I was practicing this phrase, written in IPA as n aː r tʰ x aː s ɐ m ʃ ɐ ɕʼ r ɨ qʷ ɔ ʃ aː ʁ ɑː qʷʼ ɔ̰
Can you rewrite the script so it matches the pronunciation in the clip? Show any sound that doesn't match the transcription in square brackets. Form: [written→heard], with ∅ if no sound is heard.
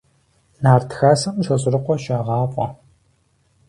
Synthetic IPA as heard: n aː r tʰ x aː s ɐ m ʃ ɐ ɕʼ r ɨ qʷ ɔ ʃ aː ʁ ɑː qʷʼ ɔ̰